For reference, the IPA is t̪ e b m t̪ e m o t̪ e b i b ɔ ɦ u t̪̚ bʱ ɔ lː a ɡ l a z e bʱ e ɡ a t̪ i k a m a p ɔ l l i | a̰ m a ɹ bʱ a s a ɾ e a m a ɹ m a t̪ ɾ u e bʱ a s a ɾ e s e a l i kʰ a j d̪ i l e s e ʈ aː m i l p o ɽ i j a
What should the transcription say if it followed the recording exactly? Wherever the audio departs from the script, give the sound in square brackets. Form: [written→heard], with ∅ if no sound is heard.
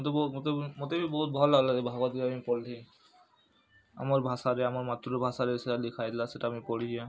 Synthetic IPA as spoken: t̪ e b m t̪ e m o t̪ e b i b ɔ ɦ u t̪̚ bʱ ɔ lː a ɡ l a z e bʱ [e→a] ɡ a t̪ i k a m [a→i] p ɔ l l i | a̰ m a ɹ bʱ a s a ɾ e a m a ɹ m a t̪ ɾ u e bʱ a s a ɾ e s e a l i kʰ a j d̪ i l [e→a] s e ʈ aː m i [l→∅] p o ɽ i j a